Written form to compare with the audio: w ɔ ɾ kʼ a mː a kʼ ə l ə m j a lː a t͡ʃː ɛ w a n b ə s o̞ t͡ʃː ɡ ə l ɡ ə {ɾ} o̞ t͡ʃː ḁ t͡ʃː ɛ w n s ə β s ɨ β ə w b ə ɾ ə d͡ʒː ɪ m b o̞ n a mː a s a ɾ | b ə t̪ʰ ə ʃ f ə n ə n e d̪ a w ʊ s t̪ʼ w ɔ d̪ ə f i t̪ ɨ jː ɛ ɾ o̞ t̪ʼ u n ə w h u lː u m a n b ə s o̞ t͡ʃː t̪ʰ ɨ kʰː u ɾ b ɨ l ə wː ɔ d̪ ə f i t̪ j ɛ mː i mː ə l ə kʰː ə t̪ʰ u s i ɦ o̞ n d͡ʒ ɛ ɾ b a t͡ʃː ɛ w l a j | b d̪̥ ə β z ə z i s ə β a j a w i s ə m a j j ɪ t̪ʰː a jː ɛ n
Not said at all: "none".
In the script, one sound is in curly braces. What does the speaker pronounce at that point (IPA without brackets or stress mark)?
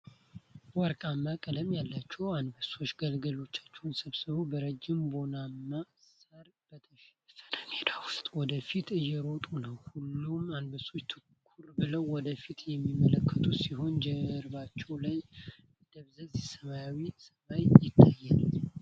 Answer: l